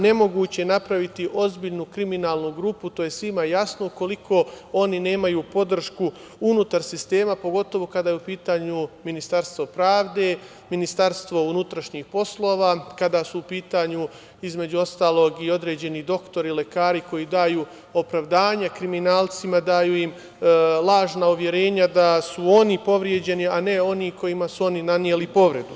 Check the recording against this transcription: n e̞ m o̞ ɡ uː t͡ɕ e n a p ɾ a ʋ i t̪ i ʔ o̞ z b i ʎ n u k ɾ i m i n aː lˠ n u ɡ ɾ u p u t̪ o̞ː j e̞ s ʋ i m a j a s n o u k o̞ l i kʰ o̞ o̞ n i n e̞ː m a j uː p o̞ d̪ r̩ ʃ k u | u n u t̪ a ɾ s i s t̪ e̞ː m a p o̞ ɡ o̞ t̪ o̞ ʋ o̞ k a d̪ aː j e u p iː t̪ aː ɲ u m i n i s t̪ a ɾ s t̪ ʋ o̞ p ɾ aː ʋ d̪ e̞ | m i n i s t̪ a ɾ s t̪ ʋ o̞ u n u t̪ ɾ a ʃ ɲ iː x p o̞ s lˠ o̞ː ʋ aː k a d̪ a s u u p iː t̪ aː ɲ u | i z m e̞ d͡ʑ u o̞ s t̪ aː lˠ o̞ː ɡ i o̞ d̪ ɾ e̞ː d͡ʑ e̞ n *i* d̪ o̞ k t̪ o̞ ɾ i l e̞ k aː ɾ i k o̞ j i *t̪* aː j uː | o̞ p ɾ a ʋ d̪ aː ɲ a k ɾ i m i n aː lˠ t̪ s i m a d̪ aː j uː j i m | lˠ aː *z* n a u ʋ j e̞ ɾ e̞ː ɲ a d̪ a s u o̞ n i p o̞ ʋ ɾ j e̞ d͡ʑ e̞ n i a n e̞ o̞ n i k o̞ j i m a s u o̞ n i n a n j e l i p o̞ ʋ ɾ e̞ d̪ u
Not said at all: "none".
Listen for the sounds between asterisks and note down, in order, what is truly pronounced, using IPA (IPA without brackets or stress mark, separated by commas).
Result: i, d̪, ʒ